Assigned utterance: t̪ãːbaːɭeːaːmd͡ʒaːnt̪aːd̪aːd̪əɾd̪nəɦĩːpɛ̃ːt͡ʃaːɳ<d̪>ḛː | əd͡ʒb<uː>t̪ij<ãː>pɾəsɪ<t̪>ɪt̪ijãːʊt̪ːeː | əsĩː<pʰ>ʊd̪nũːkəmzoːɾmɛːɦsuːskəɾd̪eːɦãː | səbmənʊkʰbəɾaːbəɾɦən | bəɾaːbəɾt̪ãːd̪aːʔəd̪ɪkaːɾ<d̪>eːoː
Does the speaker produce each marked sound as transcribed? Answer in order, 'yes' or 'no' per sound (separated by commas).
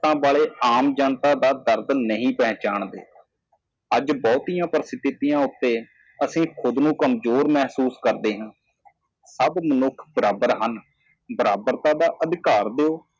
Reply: yes, no, yes, yes, no, yes